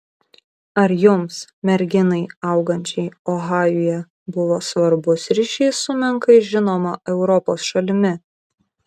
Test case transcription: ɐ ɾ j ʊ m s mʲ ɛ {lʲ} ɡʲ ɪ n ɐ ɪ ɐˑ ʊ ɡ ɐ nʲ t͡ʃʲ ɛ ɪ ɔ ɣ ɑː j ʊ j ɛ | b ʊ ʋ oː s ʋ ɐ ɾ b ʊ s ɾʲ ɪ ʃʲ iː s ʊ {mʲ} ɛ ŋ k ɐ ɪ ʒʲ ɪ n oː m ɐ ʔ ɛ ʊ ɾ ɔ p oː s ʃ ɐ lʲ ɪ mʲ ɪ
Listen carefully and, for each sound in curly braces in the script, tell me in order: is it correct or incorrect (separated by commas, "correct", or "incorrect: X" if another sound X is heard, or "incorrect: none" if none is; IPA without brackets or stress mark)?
incorrect: ɾʲ, correct